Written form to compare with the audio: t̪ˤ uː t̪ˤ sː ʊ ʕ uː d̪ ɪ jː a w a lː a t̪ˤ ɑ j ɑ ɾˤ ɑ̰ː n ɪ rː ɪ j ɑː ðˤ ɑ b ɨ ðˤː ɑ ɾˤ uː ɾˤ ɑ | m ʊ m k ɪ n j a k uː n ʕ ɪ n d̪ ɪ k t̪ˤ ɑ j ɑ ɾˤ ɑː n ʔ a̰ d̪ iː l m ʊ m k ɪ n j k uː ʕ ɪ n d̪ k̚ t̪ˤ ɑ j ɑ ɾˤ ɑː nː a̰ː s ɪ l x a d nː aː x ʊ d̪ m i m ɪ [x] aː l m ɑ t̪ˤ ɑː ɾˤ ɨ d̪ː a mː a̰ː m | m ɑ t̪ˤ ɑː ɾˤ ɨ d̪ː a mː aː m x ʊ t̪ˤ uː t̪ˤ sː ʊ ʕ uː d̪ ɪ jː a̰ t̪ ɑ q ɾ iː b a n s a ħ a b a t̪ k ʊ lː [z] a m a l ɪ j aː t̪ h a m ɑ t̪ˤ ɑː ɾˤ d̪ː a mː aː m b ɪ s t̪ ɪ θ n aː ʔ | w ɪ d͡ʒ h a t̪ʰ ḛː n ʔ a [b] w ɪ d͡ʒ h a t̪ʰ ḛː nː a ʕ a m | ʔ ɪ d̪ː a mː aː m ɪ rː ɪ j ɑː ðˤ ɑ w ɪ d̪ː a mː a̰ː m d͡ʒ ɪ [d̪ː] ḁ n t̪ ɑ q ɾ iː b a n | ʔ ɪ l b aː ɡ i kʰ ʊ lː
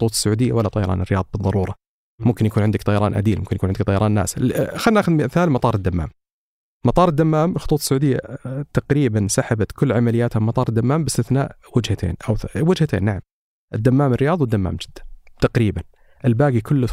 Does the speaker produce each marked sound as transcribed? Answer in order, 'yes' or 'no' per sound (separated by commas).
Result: no, no, no, yes